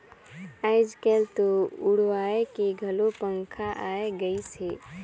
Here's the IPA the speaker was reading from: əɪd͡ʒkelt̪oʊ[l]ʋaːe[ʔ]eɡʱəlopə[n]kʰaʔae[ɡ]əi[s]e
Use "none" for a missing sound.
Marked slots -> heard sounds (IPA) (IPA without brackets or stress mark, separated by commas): ɽ, k, ŋ, ɡ, s